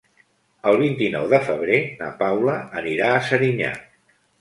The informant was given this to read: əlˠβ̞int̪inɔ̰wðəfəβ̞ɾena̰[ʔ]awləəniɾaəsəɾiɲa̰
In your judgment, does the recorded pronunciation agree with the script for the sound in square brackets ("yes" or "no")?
no